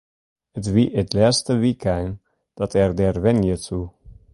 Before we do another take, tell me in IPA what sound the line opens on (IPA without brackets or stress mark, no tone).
ə